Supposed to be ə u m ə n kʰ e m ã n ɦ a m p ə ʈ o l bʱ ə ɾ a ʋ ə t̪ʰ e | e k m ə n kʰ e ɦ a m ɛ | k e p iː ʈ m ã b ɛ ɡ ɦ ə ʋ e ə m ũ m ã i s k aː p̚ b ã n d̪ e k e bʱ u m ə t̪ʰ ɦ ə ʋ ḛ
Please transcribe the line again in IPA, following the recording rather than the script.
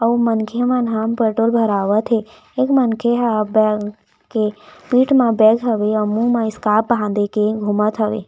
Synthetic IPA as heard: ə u m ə n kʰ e m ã n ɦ a m p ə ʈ o l bʱ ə ɾ a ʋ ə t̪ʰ e | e k m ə n kʰ e ɦ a b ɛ | k e p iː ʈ m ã b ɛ ɡ ɦ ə ʋ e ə m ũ m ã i s k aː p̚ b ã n d̪ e k e ɡʱ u m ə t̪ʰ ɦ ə ʋ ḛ